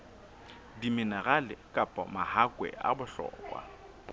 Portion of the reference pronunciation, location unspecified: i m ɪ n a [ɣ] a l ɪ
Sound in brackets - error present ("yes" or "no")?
no